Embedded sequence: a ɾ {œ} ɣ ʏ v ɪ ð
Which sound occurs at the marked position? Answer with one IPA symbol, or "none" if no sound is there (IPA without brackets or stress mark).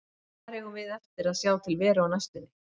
ɛ